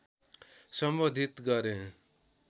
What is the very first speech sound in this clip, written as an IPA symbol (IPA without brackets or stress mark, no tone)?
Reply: s